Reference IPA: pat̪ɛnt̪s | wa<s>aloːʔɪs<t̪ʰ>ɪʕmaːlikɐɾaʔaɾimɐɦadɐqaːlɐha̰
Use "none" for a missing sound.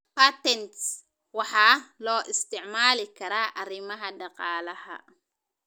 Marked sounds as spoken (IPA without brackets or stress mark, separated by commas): ħ, t̪